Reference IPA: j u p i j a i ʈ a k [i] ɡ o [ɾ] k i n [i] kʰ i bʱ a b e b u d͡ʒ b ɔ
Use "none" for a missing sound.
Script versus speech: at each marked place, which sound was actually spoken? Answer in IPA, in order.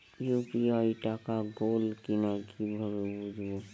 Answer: a, l, a

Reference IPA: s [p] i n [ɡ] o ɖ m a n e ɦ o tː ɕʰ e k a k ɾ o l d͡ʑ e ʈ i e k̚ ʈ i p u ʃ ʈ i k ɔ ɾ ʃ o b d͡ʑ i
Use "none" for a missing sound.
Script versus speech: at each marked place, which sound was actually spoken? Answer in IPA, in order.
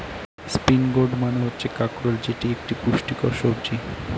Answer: p, ɡ

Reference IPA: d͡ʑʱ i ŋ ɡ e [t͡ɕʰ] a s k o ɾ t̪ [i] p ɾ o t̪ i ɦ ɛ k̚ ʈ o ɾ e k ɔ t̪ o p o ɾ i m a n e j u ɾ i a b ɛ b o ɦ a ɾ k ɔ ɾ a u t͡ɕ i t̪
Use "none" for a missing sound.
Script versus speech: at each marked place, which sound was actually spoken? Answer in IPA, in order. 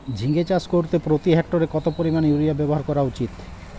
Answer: t͡ɕ, e

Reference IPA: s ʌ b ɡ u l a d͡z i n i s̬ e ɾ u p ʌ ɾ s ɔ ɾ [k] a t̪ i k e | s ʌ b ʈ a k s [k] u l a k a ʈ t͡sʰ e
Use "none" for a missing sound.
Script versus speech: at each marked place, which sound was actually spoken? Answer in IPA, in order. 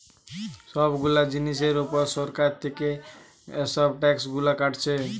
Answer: k, ɡ

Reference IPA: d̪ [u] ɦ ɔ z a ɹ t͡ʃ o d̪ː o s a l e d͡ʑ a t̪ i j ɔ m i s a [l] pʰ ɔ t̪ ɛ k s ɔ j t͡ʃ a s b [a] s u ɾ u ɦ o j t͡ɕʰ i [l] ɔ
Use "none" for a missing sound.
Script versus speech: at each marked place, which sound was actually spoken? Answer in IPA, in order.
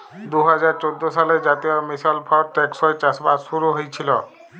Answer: u, l, a, l

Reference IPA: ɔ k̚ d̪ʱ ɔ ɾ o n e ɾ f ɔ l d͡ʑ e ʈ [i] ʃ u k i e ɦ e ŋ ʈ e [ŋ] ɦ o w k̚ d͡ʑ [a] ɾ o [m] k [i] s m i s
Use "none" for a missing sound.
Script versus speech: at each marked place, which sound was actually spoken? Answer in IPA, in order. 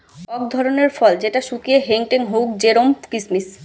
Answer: a, ŋ, e, m, i

